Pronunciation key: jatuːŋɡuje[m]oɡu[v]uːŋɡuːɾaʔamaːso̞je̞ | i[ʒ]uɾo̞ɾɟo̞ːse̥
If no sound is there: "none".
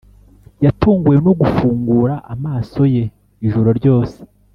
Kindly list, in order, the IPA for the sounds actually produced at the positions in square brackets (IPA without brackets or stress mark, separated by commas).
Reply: n, f, ʒ